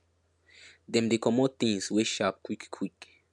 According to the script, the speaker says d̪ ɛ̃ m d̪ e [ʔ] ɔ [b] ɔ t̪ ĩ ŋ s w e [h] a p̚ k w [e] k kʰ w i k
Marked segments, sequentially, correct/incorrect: incorrect: k, incorrect: m, incorrect: ʃ, incorrect: i

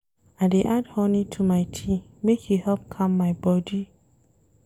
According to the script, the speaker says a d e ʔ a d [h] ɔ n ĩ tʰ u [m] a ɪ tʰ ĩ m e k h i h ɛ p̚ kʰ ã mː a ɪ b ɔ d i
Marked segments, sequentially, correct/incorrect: correct, correct

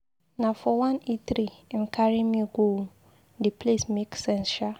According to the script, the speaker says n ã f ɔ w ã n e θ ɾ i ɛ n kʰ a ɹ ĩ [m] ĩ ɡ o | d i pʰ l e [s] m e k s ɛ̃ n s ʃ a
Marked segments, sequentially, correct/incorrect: correct, correct

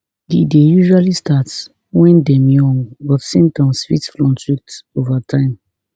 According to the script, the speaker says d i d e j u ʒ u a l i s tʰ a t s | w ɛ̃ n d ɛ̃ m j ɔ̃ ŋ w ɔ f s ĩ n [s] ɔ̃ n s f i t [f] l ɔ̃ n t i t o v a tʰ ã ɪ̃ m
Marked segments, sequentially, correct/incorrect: incorrect: t, correct

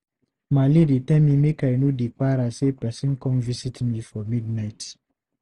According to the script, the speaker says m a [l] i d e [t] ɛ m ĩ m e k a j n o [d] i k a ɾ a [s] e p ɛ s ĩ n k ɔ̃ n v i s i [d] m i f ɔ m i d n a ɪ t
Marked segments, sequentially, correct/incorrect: correct, correct, correct, correct, incorrect: t

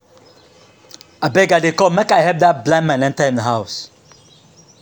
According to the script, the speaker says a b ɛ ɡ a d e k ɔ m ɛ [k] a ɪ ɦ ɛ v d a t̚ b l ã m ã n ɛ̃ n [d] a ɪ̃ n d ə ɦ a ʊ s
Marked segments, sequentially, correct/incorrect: correct, incorrect: t

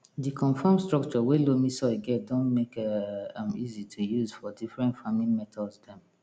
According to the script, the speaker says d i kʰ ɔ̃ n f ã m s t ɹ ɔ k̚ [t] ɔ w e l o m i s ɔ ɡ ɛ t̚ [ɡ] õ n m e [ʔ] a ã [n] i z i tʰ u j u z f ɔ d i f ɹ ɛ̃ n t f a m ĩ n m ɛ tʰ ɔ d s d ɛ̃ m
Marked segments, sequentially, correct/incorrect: incorrect: t͡ʃ, incorrect: d, incorrect: k, incorrect: m

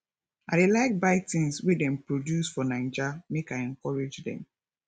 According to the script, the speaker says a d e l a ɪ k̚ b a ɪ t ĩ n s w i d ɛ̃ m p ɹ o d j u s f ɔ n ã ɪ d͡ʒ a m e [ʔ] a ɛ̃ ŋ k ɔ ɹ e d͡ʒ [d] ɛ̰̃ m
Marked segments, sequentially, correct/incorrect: incorrect: k, correct

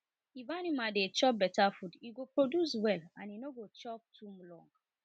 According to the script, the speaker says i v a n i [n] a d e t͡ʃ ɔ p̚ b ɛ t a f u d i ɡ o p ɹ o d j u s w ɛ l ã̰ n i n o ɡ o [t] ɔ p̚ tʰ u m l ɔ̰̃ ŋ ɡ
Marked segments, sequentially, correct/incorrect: incorrect: m, incorrect: t͡ʃ

